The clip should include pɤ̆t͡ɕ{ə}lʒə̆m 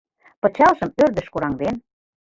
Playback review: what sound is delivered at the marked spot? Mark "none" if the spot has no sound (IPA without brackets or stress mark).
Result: ɑ